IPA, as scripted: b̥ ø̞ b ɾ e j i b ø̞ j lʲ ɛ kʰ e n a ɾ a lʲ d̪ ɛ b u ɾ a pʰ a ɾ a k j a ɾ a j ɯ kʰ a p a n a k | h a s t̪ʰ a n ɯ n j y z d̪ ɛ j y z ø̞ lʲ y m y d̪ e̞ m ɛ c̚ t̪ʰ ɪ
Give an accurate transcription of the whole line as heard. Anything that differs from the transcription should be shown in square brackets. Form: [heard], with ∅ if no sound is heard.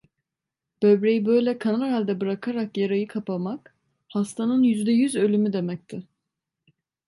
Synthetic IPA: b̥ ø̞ b ɾ e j i b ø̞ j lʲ ɛ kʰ [a] n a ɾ a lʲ d̪ ɛ b [ɯ] ɾ a [kʰ] a ɾ a k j a ɾ a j ɯ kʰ a p a [m] a k | h a s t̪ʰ a n ɯ n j y z d̪ ɛ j y z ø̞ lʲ y m y d̪ e̞ m ɛ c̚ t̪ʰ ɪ